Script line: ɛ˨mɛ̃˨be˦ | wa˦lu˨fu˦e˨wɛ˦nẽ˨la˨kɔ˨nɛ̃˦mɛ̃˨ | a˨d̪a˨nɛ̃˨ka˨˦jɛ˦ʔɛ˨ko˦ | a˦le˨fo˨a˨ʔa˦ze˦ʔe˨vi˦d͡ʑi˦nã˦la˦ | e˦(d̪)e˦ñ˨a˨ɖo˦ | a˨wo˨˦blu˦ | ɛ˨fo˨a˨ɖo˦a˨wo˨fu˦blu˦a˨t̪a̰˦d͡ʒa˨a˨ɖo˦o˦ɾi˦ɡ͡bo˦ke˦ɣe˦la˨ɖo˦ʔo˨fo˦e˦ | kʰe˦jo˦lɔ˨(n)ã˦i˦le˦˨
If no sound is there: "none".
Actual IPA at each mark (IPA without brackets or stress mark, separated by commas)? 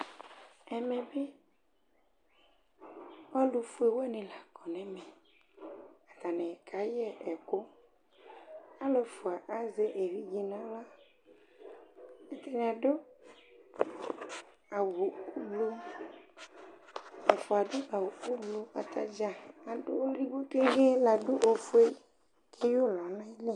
t̪, n